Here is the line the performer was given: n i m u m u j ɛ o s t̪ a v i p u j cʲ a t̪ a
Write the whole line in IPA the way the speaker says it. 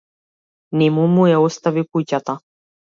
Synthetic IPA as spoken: n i m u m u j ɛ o s t̪ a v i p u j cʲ a t̪ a